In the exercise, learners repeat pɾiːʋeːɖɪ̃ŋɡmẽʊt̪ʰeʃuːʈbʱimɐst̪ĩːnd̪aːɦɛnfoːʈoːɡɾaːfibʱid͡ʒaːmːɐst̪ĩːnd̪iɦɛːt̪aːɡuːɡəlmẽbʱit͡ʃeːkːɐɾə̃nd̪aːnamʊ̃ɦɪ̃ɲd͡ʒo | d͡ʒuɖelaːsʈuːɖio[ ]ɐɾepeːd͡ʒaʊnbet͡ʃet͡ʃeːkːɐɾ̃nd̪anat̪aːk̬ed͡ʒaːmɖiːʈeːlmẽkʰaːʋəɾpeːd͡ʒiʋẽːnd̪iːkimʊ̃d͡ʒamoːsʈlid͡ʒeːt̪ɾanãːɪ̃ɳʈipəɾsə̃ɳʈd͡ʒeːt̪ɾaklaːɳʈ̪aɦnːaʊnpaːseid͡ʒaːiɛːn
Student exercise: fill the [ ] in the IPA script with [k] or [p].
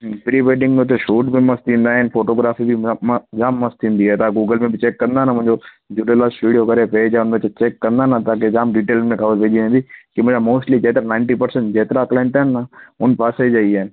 k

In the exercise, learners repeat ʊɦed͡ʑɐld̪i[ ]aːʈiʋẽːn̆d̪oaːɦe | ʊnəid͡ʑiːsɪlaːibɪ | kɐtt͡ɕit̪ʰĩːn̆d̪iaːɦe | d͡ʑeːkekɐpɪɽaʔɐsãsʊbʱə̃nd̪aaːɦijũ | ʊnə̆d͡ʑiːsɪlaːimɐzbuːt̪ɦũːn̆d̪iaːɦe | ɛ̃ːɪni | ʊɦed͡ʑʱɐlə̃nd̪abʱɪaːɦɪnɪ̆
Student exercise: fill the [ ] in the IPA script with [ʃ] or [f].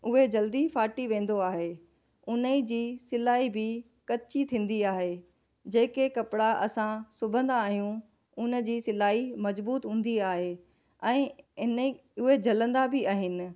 f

